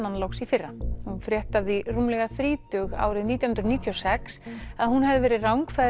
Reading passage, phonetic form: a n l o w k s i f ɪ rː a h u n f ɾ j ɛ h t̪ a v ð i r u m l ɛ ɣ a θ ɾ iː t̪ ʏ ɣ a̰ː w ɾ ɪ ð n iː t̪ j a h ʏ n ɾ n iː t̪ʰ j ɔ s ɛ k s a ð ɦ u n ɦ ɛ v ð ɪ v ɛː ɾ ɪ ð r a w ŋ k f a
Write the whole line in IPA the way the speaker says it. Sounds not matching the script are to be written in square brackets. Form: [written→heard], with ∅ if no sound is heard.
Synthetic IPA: a n l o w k s i f ɪ rː a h u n f ɾ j ɛ h t̪ a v ð i r u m l ɛ ɣ a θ ɾ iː t̪ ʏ ɣ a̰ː w ɾ ɪ ð n iː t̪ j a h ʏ n ɾ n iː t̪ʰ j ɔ s ɛ k s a ð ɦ u n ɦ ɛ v ð ɪ v ɛː ɾ ɪ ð r a w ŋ k f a